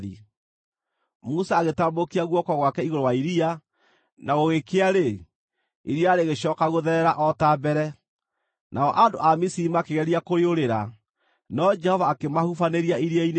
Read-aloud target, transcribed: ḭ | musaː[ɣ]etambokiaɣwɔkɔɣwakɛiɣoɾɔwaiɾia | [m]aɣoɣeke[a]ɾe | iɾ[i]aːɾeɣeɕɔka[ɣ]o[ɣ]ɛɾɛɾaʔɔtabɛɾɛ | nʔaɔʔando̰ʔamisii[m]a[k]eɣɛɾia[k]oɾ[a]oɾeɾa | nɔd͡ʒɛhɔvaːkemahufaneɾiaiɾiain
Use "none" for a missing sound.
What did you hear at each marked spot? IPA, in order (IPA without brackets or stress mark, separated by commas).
ɣ, n, a, i, ɣ, ð, m, k, k, e